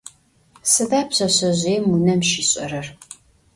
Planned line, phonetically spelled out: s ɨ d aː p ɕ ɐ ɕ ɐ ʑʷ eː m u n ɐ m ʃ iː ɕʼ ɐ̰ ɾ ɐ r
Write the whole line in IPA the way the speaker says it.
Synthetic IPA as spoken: s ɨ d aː p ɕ ɐ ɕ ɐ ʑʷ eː m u n ɐ m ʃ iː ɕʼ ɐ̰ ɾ ɐ r